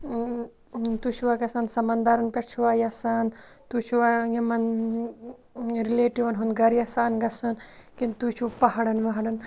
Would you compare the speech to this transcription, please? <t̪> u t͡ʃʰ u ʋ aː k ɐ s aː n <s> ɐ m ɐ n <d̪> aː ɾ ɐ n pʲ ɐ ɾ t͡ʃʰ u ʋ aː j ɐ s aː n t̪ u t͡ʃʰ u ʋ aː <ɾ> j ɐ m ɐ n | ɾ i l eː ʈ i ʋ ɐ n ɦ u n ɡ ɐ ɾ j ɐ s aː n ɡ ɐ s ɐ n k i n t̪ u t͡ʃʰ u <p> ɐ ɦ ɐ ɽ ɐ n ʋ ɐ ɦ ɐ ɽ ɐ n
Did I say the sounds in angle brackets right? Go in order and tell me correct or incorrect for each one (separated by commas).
correct, correct, correct, incorrect, correct